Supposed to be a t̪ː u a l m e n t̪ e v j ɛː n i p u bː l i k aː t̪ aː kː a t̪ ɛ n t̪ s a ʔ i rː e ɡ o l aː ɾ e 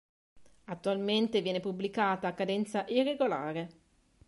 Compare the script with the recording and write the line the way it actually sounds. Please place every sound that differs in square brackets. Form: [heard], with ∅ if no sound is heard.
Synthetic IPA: a t̪ː u a l m e n t̪ e v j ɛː n [e] p u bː l i k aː t̪ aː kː a [d̪] ɛ n t̪ s a ʔ i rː e ɡ o l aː ɾ e